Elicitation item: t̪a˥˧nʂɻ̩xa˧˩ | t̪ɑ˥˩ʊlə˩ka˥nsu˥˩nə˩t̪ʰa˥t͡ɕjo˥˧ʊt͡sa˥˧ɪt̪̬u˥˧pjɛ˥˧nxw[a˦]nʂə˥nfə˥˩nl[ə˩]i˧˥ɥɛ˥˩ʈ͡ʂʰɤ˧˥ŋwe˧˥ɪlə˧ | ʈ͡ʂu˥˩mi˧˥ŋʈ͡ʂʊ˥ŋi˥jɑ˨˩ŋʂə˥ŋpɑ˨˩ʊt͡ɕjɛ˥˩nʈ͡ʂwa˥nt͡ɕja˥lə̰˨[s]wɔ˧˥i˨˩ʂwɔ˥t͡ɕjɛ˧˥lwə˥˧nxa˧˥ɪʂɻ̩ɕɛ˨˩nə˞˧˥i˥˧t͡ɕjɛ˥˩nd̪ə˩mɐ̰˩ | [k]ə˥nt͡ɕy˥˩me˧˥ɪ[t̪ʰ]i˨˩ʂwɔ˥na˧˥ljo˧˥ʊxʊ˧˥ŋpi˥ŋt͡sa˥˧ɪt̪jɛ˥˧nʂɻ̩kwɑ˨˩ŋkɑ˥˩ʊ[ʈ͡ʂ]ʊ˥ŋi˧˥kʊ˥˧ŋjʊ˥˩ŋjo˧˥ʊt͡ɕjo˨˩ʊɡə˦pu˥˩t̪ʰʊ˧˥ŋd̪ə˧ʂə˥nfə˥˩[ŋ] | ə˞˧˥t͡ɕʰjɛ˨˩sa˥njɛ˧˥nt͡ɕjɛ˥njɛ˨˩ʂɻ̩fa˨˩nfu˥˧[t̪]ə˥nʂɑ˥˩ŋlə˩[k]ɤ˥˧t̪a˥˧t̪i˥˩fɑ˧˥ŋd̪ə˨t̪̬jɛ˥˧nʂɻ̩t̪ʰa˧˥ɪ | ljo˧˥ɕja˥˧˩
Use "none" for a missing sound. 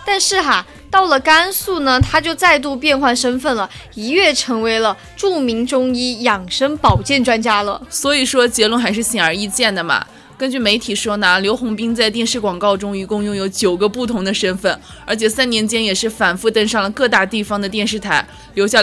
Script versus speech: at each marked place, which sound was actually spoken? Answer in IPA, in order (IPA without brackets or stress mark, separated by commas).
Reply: a˥˩, ə˩, s, k, t̪ʰ, ʈ͡ʂ, n, t̪, k